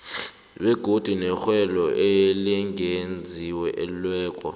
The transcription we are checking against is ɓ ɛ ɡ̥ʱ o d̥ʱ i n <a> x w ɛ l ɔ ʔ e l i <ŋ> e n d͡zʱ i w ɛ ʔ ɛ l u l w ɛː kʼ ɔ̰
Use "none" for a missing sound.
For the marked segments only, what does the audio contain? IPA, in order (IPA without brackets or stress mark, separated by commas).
ɛ, ŋ